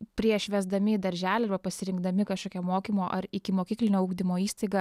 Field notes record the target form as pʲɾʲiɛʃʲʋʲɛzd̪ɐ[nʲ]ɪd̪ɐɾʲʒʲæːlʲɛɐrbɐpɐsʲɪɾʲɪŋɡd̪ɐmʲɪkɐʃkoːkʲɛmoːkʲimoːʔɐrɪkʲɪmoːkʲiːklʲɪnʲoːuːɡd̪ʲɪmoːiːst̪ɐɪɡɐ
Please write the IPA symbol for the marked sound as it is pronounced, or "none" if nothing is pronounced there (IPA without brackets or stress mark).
mʲ